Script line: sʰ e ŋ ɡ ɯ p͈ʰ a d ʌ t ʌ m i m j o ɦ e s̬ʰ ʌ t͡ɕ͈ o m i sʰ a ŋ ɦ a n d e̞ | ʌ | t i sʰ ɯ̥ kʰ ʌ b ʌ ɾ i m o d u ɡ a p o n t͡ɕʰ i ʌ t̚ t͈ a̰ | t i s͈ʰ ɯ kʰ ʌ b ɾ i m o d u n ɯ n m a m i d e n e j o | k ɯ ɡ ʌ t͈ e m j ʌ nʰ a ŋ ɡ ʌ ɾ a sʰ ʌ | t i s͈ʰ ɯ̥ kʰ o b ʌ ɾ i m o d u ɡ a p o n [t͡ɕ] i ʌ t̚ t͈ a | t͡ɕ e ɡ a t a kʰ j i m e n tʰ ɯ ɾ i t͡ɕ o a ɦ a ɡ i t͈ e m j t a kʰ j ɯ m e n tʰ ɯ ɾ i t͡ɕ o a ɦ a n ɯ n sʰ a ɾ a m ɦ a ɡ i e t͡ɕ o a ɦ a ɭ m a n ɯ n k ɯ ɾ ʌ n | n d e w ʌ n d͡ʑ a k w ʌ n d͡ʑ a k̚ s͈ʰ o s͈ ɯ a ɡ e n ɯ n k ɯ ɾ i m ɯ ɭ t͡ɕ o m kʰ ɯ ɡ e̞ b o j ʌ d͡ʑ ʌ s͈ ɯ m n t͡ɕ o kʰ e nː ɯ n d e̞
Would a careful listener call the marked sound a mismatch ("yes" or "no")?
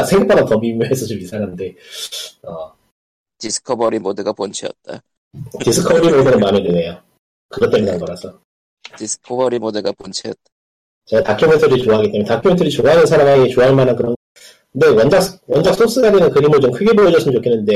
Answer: yes